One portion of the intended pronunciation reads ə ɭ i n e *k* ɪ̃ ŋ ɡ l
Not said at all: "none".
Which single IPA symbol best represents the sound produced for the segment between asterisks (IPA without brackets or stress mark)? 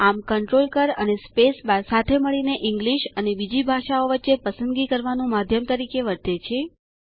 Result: ʔ